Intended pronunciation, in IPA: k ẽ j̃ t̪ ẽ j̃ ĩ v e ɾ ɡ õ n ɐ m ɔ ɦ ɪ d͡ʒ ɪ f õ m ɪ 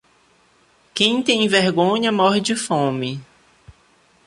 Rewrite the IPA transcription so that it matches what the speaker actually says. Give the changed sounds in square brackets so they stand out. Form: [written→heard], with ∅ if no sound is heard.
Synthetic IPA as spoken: k ẽ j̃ t̪ ẽ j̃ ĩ v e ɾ ɡ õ [n→ɲ] ɐ m ɔ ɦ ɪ d͡ʒ ɪ f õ m ɪ